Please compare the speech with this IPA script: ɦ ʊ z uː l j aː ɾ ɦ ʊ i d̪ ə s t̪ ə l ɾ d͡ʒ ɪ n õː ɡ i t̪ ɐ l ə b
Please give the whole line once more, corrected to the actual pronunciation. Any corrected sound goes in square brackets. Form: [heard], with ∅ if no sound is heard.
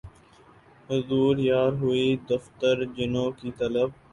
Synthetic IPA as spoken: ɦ ʊ z uː [ɾ] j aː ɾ ɦ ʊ i d̪ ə [f] t̪ ə [∅] ɾ d͡ʒ ɪ n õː [k] i t̪ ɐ l ə b